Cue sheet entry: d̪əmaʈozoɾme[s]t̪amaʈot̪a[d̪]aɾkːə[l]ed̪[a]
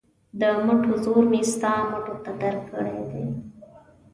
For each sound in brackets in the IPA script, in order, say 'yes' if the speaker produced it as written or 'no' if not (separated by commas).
yes, yes, no, no